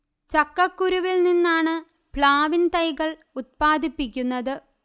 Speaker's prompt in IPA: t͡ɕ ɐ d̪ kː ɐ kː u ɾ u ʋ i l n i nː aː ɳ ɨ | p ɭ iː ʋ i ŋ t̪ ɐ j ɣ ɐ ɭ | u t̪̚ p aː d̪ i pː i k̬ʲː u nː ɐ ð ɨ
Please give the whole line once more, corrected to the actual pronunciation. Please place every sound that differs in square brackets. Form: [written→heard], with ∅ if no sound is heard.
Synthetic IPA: t͡ɕ ɐ [d̪→∅] kː ɐ kː u ɾ u ʋ i l n i nː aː ɳ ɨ | p ɭ [iː→aː] ʋ i [ŋ→n] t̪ ɐ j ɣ ɐ ɭ | u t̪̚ p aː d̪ i pː i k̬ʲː u nː ɐ ð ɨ

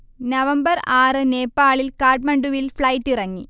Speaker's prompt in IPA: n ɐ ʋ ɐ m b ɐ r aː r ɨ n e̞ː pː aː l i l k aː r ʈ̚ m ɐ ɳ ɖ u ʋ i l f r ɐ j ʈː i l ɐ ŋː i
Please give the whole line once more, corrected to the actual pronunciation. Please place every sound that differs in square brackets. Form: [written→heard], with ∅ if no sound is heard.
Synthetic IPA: n ɐ ʋ ɐ m b ɐ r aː r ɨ n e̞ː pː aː [l→ɭ] i l k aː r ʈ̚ m ɐ ɳ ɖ u ʋ i l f [r→ɭ] ɐ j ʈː i [l→r] ɐ ŋː i

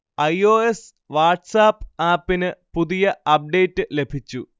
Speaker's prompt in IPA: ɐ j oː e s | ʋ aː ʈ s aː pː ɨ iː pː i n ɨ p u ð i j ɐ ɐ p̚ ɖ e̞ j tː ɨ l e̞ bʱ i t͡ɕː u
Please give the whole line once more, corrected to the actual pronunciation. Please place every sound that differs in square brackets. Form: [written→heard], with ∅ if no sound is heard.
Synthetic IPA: ɐ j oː e s | ʋ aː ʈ s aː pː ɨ [iː→aː] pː i n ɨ p u ð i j ɐ ɐ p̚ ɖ e̞ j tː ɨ l e̞ bʱ i t͡ɕː u

